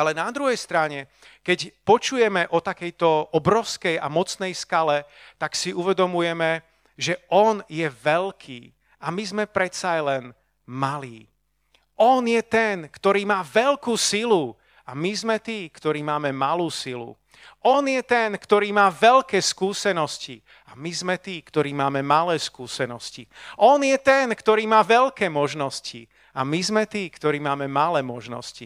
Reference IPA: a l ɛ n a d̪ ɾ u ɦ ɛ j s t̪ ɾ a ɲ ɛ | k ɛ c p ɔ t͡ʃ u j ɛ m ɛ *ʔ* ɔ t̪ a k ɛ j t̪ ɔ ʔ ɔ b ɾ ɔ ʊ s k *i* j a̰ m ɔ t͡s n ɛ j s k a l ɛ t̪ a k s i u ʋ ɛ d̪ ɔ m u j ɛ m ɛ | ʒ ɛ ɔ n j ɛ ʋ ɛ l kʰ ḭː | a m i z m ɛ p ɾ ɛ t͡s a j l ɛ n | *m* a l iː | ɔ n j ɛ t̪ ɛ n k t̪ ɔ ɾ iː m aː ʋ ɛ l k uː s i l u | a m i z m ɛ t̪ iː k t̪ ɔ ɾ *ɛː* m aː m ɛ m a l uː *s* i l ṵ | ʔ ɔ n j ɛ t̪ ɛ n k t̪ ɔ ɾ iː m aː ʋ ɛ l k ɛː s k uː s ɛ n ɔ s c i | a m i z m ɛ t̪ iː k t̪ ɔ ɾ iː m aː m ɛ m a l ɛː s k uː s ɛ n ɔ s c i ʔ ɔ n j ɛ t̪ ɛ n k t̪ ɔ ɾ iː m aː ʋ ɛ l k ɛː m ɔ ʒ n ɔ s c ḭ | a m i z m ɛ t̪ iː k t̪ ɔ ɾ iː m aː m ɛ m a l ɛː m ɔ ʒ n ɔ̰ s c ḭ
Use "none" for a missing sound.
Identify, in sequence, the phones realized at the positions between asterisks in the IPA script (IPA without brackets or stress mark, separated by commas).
ʔ, ɛ, m, iː, s